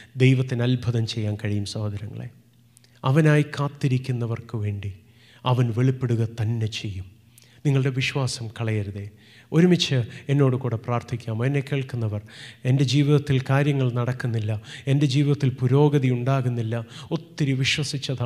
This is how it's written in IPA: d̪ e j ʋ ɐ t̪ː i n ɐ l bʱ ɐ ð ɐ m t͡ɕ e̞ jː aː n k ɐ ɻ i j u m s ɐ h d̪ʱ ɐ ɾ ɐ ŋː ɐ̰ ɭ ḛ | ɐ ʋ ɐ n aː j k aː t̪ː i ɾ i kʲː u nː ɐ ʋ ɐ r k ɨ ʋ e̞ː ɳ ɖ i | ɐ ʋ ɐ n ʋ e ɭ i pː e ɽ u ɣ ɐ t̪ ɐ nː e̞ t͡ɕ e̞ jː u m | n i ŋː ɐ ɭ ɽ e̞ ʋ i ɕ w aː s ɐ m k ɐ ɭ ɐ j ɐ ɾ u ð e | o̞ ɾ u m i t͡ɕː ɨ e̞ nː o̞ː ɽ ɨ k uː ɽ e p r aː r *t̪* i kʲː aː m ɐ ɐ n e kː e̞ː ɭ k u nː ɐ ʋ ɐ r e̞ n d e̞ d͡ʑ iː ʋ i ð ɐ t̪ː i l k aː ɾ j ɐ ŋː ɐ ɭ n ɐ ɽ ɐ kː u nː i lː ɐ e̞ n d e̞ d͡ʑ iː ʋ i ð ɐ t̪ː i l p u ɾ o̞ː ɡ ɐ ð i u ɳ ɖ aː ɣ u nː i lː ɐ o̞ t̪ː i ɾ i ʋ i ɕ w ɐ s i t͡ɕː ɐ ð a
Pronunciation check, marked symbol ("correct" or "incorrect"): incorrect